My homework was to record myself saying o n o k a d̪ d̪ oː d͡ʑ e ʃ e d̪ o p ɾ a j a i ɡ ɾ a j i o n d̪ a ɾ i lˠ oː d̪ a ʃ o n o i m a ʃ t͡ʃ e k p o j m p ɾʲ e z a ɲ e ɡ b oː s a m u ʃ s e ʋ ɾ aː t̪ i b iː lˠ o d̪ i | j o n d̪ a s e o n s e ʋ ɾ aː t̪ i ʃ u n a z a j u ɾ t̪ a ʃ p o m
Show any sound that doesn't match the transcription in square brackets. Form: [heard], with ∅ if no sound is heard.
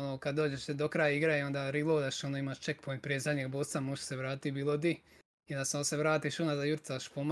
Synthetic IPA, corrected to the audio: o n o k a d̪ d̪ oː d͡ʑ e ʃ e d̪ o [k] ɾ a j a i ɡ ɾ a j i o n d̪ a ɾ i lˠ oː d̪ a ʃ o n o i m a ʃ t͡ʃ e k p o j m p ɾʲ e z a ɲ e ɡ b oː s a m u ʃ s e ʋ ɾ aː t̪ i b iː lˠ o d̪ i | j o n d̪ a s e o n s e ʋ ɾ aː t̪ i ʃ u n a z a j u ɾ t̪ a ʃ p o m